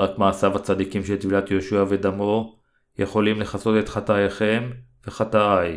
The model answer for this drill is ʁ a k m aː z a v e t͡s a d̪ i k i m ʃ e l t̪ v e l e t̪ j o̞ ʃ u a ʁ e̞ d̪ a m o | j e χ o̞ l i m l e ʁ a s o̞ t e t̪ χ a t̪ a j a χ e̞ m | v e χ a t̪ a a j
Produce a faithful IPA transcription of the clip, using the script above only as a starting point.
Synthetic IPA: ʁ a k m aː s a v a t͡s a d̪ i k i m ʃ e l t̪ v i l a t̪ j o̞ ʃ u a v e̞ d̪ a m o | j e χ o̞ l i m l e χ a s o̞ t e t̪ χ a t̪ a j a χ e̞ m | v e χ a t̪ a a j